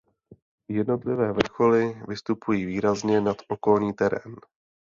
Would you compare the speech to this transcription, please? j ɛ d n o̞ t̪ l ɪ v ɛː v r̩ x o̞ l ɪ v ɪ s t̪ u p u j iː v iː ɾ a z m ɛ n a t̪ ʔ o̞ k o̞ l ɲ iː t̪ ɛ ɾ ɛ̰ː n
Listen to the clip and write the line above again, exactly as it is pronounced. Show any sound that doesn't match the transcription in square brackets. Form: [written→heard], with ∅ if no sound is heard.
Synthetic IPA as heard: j ɛ d n o̞ t̪ l ɪ v ɛː v r̩ x o̞ l ɪ v ɪ s t̪ u p u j iː v iː ɾ a z [m→ɲ] ɛ n a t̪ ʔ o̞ k o̞ l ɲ iː t̪ ɛ ɾ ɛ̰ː n